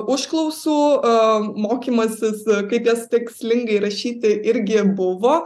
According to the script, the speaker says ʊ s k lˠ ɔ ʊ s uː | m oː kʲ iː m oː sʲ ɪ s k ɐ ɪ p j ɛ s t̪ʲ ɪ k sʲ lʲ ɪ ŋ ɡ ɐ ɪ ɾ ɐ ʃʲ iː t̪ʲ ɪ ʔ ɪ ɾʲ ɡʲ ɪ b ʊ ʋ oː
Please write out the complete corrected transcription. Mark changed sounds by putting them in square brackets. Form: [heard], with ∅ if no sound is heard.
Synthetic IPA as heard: ʊ [ʃ] k lˠ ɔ ʊ s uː | m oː kʲ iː m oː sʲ ɪ s k ɐ ɪ p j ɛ s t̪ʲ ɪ k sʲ lʲ ɪ ŋ ɡ ɐ ɪ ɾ ɐ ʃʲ iː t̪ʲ ɪ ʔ ɪ ɾʲ ɡʲ ɪ b ʊ ʋ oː